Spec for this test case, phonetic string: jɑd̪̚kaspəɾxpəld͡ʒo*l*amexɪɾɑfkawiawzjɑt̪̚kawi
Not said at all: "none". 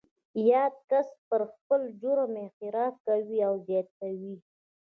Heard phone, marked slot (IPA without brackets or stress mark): ɾ